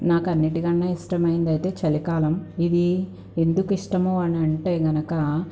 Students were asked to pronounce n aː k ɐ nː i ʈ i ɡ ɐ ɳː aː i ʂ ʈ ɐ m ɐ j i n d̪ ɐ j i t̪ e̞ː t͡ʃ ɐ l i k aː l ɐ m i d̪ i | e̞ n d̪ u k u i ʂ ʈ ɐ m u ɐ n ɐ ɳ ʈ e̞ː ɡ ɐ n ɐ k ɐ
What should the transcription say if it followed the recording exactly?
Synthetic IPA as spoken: n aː k ɐ nː i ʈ i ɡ ɐ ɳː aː i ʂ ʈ ɐ m ɐ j i n d̪ ɐ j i t̪ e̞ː t͡ʃ ɐ l i k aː l ɐ m i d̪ i | e̞ n d̪ u k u i ʂ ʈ ɐ m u ɐ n ɐ ɳ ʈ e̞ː ɡ ɐ n ɐ k ɐ